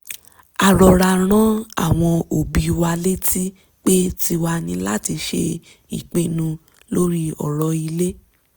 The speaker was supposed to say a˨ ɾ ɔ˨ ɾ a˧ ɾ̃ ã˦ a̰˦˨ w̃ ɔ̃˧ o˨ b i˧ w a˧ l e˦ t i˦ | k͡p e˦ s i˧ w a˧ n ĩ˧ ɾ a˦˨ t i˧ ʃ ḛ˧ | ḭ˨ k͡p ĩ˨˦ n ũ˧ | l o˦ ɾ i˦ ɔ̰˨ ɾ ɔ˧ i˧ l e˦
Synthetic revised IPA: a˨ ɾ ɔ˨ ɾ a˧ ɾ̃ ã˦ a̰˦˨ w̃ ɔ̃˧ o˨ b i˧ w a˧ l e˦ t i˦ | k͡p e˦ t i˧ w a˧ n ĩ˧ l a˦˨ t i˧ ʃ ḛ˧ | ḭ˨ k͡p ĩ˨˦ n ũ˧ | l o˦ ɾ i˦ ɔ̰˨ ɾ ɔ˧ i˧ l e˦